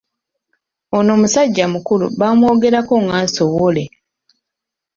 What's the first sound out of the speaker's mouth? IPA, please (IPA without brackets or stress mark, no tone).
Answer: o